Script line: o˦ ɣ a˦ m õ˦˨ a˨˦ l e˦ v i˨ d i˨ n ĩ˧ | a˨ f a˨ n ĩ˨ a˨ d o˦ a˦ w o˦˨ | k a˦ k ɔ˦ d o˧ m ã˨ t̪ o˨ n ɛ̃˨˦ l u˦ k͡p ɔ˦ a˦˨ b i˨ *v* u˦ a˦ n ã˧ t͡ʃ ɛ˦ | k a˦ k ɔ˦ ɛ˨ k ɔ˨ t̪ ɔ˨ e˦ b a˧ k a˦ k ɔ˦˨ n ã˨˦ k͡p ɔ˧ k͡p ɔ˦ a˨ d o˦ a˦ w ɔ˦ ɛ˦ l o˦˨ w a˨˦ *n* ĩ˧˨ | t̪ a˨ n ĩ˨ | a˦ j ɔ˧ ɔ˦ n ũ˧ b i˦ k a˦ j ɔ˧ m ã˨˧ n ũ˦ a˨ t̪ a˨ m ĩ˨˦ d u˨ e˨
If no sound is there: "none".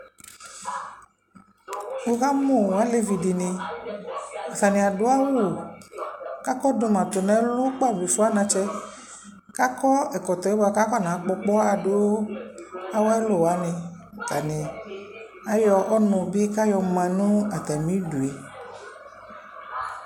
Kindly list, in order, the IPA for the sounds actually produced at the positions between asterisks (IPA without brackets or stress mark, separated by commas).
f, n